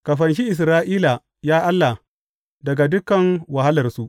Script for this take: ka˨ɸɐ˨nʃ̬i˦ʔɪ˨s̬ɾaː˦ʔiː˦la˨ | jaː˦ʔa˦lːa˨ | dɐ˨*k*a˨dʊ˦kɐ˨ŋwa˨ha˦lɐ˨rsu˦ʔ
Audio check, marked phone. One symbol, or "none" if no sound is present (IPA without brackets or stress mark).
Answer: ɡ